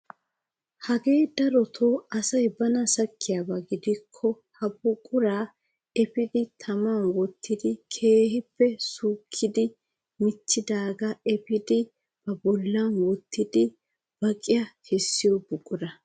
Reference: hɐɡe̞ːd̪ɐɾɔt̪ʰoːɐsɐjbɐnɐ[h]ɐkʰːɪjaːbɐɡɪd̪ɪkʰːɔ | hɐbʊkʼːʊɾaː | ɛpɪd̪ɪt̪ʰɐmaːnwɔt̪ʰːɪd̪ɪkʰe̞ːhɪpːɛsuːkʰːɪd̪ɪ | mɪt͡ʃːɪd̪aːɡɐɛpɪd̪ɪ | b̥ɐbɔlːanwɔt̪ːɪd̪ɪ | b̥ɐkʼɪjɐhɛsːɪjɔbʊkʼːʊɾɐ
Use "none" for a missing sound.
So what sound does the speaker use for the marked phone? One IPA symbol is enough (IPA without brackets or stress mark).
s